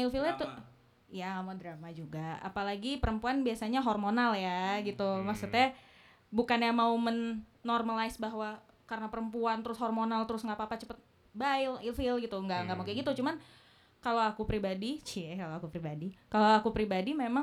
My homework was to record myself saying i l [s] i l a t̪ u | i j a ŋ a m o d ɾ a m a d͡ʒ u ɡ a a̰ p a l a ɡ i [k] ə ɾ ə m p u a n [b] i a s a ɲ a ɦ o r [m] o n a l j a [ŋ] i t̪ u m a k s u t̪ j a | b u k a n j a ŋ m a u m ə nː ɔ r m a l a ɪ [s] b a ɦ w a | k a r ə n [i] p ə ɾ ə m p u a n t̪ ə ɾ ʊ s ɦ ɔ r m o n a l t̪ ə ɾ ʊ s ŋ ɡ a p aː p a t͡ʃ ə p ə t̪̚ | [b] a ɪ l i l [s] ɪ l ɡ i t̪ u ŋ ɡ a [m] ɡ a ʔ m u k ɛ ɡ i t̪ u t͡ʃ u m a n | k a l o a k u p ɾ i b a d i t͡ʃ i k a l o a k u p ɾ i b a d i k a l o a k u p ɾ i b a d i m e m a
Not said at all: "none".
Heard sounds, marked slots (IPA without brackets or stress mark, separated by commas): f, p, b, m, ɡ, s, a, b, f, ŋ